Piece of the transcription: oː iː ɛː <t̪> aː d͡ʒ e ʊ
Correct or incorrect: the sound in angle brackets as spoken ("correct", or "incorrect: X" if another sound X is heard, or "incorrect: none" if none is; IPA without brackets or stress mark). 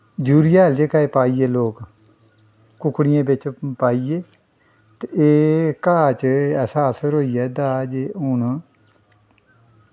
incorrect: d̪